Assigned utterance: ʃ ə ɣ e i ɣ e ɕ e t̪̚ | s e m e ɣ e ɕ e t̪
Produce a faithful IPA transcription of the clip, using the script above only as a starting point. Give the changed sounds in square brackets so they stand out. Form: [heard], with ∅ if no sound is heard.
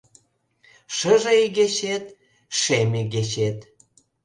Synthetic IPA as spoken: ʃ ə [ʒ] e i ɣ e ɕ e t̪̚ | [ʃ] e m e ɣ e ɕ e t̪